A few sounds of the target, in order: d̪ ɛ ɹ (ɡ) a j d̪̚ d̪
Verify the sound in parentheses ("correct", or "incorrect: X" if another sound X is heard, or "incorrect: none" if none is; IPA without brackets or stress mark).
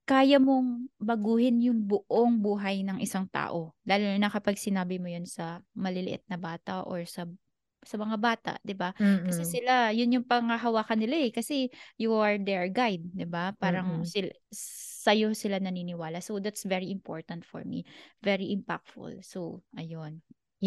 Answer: correct